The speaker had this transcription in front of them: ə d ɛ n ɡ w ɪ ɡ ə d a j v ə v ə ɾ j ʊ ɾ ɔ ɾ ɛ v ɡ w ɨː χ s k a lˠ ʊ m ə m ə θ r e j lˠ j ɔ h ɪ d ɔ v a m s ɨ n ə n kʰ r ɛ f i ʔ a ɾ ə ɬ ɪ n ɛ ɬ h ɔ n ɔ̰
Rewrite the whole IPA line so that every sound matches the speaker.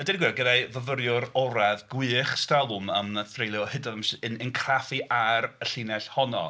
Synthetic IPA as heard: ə d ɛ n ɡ w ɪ ɡ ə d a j v ə v ə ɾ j ʊ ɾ ɔ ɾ ɛ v ɡ w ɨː χ s t a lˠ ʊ m ə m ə θ r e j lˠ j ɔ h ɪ d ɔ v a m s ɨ n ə n kʰ r a f i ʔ a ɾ ə ɬ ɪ n ɛ ɬ h ɔ n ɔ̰